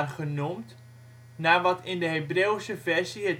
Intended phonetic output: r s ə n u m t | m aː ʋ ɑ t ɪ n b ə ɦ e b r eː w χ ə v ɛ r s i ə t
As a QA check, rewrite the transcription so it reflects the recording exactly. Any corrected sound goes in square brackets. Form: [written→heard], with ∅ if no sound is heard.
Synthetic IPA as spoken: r [s→χ] ə n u m t | [m→n] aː ʋ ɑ t ɪ n [b→d] ə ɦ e b r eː w [χ→s] ə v ɛ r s i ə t